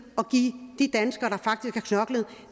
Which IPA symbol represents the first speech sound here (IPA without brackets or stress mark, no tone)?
ɒ̽